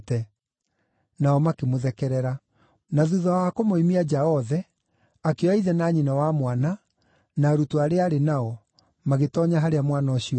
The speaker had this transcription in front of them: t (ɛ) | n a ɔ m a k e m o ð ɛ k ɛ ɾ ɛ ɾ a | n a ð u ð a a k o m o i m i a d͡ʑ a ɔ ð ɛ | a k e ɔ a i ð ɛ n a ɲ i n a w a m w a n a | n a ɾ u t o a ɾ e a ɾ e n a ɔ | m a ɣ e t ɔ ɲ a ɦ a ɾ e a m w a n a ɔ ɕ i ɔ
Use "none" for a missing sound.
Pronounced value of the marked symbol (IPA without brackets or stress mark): ɛ